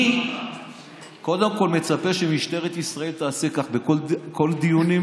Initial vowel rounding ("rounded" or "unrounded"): rounded